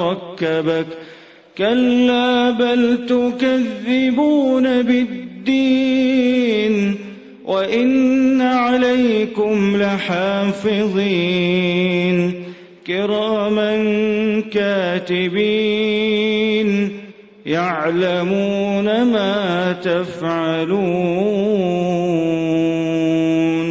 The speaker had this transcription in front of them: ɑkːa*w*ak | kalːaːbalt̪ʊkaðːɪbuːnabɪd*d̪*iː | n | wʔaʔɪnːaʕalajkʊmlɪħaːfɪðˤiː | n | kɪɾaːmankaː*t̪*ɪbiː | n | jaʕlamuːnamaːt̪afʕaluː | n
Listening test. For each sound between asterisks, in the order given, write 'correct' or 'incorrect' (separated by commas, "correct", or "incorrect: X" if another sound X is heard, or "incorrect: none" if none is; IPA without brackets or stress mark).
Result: incorrect: b, incorrect: d̪ː, correct